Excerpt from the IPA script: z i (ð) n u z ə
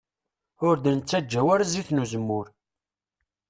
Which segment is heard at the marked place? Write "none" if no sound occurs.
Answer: θ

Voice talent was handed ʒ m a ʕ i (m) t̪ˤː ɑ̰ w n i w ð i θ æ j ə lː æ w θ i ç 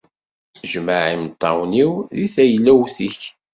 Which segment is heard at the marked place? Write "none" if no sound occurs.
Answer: m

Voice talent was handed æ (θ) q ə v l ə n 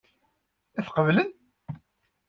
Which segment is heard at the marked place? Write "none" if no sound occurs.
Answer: θ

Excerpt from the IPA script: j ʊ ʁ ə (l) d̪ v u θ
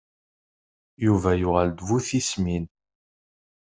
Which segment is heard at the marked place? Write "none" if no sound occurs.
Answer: l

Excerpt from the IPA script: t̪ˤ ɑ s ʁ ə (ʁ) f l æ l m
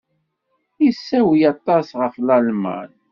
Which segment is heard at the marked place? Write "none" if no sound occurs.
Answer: none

